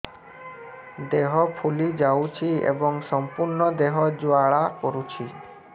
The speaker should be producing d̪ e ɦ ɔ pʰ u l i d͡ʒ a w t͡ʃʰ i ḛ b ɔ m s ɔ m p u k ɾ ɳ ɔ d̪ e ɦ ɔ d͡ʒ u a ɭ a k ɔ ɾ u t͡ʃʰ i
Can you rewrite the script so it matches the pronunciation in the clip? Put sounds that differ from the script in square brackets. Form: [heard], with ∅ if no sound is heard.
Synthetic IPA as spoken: d̪ e ɦ ɔ pʰ u l i d͡ʒ a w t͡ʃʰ i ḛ b ɔ [ŋ] s ɔ m p u [∅] ɾ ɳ ɔ d̪ e ɦ ɔ d͡ʒ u a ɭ a k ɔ ɾ u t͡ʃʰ i